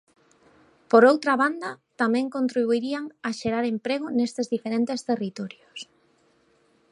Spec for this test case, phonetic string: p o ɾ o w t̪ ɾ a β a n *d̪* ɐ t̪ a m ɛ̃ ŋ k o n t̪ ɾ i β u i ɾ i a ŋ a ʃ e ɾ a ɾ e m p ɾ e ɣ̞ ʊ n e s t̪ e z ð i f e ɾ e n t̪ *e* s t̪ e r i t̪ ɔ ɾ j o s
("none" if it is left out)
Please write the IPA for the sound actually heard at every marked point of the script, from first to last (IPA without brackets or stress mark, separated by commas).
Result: d̪, e